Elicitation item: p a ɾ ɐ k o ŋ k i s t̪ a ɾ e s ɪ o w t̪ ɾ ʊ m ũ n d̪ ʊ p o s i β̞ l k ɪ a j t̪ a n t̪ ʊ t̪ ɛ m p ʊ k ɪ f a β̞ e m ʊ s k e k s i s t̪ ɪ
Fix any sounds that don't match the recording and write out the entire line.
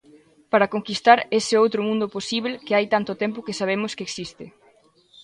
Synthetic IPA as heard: p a ɾ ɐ k o ŋ k i s t̪ a ɾ e s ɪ o w t̪ ɾ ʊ m ũ n d̪ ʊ p o s i β̞ l k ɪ a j t̪ a n t̪ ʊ t̪ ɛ m p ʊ k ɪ s a β̞ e m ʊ s k e k s i s t̪ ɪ